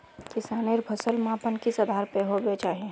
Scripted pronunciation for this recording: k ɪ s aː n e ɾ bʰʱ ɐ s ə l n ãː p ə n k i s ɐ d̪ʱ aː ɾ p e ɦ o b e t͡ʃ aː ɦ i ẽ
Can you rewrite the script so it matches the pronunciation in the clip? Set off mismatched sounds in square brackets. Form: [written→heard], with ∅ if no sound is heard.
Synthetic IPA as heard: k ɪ s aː n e ɾ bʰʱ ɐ s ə l [n→m] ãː p ə n k i s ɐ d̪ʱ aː ɾ p e ɦ o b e t͡ʃ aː ɦ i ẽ